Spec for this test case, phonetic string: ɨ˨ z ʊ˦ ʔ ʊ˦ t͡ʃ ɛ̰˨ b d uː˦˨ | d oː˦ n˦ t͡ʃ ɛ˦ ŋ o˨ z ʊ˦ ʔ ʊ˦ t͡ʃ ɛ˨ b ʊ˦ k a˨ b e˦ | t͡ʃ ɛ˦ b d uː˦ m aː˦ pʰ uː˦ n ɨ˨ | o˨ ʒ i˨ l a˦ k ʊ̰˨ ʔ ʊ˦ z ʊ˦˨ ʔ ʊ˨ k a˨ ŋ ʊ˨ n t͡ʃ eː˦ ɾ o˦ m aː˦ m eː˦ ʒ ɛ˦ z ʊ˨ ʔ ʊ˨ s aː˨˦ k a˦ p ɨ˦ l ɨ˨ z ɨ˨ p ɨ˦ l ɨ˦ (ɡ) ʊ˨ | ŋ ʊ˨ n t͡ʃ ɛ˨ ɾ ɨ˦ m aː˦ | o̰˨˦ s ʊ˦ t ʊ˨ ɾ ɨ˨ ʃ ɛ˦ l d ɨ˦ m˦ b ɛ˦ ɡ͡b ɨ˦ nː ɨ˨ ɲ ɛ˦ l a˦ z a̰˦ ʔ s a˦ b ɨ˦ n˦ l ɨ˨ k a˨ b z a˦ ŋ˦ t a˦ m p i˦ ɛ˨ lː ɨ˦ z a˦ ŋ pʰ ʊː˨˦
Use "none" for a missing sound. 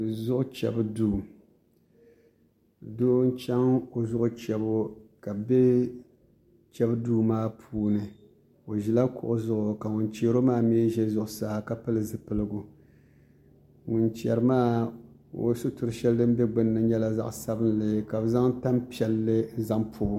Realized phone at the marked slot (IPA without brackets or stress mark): ɡ